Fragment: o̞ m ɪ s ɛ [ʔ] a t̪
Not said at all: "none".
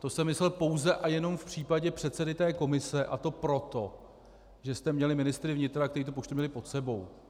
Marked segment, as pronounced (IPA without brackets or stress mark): ʔ